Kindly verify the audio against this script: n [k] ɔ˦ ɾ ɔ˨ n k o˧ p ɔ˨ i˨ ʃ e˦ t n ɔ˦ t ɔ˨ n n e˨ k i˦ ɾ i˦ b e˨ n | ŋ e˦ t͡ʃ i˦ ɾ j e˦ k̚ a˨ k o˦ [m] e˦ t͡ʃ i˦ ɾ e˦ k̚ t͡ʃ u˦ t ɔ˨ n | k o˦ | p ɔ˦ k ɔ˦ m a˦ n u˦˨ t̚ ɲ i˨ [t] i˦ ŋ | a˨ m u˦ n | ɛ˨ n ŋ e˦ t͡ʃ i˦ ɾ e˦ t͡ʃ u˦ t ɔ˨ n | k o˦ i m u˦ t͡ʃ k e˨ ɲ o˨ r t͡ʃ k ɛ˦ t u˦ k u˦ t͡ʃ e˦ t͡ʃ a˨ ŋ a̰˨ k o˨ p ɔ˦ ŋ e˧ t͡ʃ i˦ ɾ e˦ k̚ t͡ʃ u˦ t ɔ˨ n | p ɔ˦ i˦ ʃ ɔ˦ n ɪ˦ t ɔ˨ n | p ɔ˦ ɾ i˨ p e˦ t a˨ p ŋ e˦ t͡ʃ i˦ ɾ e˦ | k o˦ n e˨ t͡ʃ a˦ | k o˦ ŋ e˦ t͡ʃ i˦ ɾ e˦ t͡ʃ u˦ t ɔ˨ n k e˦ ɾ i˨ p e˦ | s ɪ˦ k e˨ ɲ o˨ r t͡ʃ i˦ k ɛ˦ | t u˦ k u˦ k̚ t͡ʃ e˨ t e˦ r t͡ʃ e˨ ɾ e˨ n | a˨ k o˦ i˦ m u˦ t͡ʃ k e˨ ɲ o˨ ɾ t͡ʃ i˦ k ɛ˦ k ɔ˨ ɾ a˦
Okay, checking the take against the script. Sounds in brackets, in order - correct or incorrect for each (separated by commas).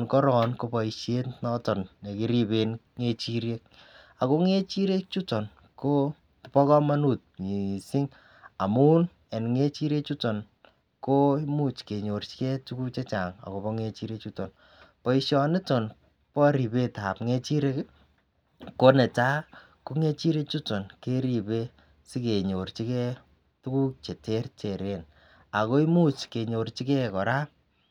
correct, incorrect, incorrect